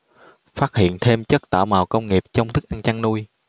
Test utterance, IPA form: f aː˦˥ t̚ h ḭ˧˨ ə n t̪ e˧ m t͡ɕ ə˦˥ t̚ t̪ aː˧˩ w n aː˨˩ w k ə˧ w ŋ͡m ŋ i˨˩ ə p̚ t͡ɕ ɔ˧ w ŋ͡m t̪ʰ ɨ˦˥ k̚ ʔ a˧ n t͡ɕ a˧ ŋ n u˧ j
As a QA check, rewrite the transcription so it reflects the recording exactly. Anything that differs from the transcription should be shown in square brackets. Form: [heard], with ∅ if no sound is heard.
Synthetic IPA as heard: f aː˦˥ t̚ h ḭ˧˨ ə n [t̪ʰ] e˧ m t͡ɕ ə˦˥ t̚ t̪ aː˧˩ w [m] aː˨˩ w k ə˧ w ŋ͡m ŋ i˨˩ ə p̚ t͡ɕ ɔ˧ w ŋ͡m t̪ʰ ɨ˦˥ k̚ ʔ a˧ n t͡ɕ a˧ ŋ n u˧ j

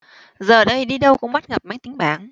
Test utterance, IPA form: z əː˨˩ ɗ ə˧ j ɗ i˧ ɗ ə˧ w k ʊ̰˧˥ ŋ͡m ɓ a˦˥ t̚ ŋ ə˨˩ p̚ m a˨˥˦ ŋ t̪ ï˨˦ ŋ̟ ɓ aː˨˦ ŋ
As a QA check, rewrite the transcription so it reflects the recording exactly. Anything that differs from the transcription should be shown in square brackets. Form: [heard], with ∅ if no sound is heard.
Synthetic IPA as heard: z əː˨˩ ɗ ə˧ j ɗ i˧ ɗ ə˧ w k ʊ̰˧˥ ŋ͡m ɓ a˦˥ t̚ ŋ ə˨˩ p̚ m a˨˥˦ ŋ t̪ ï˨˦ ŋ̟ ɓ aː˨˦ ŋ

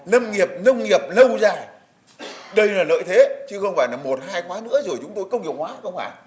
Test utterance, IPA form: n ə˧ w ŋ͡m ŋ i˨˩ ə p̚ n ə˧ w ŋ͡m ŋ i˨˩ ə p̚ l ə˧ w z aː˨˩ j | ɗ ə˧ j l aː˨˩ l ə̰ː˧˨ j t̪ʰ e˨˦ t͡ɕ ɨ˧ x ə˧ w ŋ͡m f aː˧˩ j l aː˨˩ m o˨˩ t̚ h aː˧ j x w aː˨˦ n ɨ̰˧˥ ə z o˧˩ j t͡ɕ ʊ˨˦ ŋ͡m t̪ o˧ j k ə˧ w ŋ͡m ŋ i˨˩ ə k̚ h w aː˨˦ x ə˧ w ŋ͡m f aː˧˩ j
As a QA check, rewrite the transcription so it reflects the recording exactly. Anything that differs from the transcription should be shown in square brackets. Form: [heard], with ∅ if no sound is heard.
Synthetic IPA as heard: n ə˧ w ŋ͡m ŋ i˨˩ ə p̚ n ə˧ w ŋ͡m ŋ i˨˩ ə p̚ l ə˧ w z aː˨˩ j | ɗ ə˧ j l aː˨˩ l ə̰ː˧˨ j t̪ʰ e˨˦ t͡ɕ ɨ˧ x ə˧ w ŋ͡m f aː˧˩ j l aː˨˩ m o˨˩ t̚ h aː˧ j x w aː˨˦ n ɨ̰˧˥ ə z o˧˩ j t͡ɕ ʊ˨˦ ŋ͡m t̪ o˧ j k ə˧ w ŋ͡m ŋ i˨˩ ə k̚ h w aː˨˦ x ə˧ w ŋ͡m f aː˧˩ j

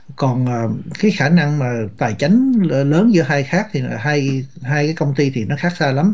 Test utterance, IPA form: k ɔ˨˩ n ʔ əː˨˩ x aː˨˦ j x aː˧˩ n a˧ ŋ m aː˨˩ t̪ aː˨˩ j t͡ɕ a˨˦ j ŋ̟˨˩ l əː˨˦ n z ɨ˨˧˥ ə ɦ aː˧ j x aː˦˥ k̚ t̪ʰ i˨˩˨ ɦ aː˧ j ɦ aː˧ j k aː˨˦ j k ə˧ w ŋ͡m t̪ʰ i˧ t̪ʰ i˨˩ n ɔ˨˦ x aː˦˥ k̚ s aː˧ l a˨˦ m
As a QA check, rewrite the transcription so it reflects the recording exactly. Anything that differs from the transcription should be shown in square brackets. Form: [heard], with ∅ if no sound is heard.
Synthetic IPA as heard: k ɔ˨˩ n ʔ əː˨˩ [k] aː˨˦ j x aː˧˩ n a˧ ŋ m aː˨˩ t̪ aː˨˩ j t͡ɕ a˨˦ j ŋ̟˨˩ l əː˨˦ n z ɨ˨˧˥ ə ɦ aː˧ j x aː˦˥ k̚ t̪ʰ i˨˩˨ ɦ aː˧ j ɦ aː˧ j k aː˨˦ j k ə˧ w ŋ͡m [t̪] i˧ t̪ʰ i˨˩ n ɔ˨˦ x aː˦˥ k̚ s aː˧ l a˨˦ m

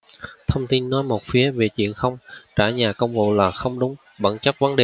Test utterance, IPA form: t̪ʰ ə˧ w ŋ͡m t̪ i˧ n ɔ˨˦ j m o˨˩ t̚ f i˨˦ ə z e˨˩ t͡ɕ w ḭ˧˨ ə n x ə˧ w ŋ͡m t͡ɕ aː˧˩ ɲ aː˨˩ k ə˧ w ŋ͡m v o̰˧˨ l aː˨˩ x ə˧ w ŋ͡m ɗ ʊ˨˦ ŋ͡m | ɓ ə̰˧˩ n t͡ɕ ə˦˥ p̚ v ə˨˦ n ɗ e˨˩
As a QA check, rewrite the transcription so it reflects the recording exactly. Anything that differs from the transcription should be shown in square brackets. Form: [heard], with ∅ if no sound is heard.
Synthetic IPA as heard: t̪ʰ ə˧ w ŋ͡m t̪ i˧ [nː] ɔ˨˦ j m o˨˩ t̚ f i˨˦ ə [v] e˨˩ t͡ɕ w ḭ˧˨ ə n x ə˧ w ŋ͡m t͡ɕ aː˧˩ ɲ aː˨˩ k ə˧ w ŋ͡m v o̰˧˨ l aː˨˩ x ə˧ w ŋ͡m ɗ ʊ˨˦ ŋ͡m | ɓ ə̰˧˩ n t͡ɕ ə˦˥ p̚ v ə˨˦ n ɗ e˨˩

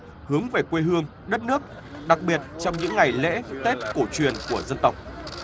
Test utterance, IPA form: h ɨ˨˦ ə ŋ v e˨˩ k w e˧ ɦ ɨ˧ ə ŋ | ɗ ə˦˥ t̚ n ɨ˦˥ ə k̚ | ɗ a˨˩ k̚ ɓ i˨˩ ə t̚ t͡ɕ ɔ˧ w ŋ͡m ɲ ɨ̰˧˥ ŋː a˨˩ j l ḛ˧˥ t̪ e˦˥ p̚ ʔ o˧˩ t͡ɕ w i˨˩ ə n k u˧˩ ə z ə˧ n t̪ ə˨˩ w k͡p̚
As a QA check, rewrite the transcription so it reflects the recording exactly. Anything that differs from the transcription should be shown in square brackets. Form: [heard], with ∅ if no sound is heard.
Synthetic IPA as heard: h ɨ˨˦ ə ŋ v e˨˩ k w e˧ ɦ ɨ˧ ə ŋ | ɗ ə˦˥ t̚ n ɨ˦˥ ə k̚ | ɗ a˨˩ k̚ ɓ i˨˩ ə t̚ t͡ɕ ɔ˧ w ŋ͡m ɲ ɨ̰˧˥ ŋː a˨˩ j l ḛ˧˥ t̪ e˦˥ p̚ [k] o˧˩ t͡ɕ w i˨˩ ə n k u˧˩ ə z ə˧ n t̪ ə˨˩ w k͡p̚

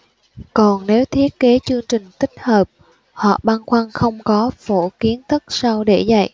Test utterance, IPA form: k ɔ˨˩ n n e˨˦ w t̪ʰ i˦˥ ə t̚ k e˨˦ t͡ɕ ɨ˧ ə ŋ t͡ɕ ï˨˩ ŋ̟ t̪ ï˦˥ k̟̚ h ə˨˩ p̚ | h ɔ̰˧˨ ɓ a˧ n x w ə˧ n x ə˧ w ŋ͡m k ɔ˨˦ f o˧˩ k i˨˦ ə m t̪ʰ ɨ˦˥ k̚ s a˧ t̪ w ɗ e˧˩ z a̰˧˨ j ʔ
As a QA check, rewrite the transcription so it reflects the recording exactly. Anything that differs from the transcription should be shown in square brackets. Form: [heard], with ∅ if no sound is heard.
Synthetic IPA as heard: k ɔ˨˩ n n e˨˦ w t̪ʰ i˦˥ ə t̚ k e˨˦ t͡ɕ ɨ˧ ə ŋ t͡ɕ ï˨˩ ŋ̟ t̪ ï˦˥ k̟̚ h [əː˨˩] p̚ | h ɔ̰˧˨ ɓ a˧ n x w [a˧] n x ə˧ w ŋ͡m k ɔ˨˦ f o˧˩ k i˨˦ ə [n] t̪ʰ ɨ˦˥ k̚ s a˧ [∅] w ɗ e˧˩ z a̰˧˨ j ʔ

